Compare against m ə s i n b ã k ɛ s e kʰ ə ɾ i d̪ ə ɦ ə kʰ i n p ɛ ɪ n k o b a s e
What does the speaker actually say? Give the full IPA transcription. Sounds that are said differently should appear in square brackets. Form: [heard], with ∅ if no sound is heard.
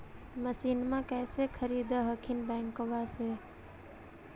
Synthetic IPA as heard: m ə s i n [m] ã k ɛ s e kʰ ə ɾ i d̪ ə ɦ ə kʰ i n [b] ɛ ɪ [ŋ] k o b a s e